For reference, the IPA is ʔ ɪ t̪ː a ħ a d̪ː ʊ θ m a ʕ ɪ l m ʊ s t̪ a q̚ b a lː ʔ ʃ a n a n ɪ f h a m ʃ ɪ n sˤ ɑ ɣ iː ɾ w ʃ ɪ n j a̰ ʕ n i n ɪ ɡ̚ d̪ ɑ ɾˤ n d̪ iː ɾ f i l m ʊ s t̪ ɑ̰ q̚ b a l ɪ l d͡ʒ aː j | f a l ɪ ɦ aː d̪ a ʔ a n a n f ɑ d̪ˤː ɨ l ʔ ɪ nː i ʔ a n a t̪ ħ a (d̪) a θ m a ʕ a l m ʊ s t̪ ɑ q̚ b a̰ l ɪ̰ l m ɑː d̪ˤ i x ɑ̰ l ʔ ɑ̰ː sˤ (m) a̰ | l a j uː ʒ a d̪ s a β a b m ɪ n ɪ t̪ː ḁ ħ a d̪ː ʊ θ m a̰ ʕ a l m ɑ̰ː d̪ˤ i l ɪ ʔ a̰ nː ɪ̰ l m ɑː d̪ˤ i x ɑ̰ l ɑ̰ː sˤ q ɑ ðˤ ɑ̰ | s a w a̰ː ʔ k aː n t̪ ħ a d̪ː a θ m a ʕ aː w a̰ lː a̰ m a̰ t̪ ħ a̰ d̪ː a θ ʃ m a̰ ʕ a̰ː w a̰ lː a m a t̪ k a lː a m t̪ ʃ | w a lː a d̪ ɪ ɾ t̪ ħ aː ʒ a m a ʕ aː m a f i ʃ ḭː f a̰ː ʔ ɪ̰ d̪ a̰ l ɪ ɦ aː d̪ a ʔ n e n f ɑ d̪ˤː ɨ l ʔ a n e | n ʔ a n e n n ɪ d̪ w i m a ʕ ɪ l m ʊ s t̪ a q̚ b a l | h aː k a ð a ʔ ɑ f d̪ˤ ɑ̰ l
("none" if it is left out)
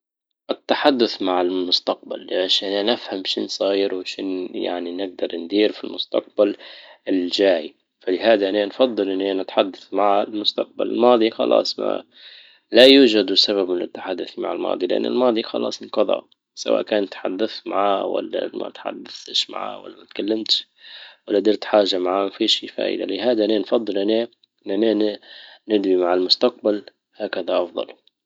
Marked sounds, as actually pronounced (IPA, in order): d̪ː, m

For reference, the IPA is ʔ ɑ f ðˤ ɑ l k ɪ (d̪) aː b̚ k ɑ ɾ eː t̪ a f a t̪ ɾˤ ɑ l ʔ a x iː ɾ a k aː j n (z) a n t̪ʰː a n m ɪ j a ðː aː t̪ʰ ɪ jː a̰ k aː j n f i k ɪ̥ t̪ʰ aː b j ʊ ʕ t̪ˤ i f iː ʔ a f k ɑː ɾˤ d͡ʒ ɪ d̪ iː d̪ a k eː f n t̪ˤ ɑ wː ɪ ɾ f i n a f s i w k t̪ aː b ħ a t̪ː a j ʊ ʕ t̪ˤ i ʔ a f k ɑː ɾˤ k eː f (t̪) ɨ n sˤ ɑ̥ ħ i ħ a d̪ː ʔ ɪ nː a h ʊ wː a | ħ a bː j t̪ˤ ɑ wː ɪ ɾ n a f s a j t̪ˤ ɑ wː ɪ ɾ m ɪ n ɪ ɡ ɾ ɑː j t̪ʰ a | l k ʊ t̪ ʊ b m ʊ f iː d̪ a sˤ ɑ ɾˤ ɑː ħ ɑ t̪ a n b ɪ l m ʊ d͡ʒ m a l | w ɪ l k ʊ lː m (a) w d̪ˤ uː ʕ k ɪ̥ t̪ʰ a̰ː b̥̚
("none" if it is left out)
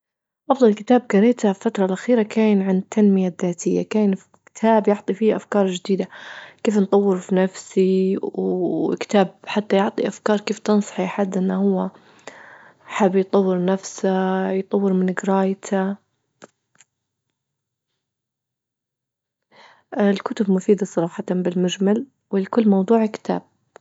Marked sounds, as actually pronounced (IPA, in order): t̪, ʕ, t̪, ɑ

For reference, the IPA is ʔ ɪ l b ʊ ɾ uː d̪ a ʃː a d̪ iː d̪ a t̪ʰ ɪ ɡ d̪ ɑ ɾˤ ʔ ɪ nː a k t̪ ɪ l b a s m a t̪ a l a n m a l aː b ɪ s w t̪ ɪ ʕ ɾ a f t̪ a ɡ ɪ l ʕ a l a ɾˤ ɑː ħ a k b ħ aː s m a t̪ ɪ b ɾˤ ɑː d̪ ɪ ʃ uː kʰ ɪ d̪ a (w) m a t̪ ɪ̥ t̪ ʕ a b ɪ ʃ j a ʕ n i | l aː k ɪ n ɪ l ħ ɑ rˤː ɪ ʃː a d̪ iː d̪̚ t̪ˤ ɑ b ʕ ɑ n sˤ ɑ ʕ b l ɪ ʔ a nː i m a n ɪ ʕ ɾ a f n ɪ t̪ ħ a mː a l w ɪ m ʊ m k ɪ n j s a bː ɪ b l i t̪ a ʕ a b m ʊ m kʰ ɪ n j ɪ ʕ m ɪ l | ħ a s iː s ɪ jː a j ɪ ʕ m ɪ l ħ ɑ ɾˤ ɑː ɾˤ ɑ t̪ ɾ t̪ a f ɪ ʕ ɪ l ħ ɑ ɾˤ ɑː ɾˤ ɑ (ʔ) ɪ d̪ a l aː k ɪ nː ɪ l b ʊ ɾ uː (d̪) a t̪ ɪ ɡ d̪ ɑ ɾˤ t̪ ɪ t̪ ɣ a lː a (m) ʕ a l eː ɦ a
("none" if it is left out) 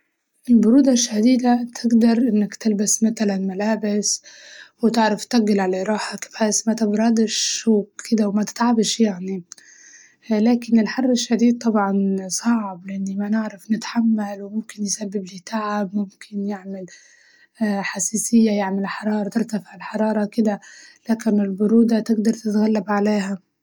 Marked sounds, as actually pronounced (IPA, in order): w, k, d̪, b

